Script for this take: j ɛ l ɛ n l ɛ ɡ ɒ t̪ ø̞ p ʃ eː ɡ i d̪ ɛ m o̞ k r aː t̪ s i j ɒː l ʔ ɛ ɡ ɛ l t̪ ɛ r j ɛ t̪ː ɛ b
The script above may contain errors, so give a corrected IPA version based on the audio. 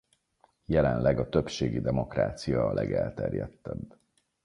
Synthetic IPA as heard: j ɛ l ɛ n l ɛ ɡ ɒ t̪ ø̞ p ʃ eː ɡ i d̪ ɛ m o̞ k r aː t̪ s i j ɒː l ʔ ɛ ɡ ɛ l t̪ ɛ r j ɛ t̪ː ɛ b